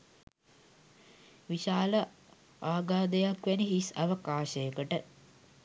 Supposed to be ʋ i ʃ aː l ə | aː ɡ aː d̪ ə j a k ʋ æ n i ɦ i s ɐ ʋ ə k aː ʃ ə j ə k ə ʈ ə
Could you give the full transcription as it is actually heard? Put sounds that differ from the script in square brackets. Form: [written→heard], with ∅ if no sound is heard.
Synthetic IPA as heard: ʋ i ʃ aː l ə | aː ɡ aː d̪ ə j a k ʋ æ n i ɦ i s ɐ ʋ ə k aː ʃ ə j ə k ə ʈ ə